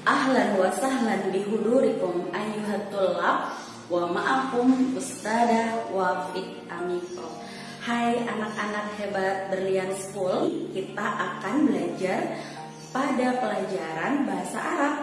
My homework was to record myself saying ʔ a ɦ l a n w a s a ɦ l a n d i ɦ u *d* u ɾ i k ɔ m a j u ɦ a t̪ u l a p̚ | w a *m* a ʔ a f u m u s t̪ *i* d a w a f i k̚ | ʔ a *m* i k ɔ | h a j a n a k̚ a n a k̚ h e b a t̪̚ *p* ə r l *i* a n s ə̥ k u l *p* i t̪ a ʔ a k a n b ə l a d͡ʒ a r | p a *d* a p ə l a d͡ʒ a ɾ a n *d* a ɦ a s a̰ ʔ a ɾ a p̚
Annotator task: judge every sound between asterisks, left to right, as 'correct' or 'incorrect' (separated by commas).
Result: correct, correct, incorrect, correct, incorrect, correct, incorrect, correct, incorrect